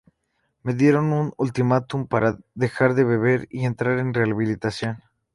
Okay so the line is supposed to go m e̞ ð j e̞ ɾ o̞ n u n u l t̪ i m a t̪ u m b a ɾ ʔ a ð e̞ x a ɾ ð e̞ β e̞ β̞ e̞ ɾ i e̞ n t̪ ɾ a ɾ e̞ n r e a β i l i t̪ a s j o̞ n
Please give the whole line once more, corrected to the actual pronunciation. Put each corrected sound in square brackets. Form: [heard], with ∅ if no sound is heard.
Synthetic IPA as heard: m e̞ ð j e̞ ɾ o̞ n u n u l t̪ i m a t̪ u m [p] a ɾ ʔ a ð e̞ x a ɾ ð e̞ β e̞ β̞ e̞ ɾ i e̞ n t̪ ɾ a ɾ e̞ n r e a β i l i t̪ a s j o̞ n